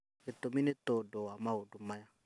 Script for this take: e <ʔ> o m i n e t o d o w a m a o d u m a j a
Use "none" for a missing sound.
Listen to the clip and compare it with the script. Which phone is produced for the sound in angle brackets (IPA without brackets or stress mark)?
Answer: t